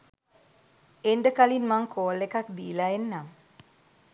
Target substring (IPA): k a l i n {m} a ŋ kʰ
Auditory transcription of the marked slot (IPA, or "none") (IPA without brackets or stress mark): m